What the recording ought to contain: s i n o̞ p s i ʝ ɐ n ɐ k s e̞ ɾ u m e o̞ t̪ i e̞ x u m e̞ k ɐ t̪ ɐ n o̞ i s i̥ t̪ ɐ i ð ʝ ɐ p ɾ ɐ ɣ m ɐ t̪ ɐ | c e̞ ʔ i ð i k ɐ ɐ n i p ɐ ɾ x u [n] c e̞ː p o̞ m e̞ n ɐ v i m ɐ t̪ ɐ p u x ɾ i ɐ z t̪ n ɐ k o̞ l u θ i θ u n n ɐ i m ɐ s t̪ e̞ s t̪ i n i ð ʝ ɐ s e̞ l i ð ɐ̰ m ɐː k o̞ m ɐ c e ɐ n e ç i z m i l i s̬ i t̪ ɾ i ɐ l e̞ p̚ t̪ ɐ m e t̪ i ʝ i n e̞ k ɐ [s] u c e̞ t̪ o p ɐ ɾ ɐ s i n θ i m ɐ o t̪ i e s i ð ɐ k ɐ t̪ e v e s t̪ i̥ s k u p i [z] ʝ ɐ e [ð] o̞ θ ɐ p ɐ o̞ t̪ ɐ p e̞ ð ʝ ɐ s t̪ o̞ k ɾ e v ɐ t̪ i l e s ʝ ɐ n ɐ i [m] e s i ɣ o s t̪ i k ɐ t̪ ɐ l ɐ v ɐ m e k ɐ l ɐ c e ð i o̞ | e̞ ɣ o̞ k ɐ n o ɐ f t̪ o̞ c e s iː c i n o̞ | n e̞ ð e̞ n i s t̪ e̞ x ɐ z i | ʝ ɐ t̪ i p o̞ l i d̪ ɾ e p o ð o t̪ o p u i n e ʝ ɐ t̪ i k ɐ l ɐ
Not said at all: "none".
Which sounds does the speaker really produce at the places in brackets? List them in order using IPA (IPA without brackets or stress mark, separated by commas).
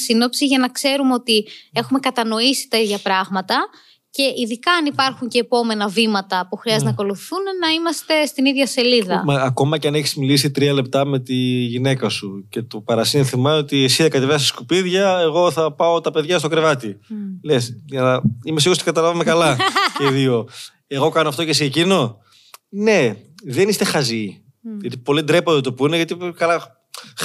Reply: ɲ, s, ð, ɣ, m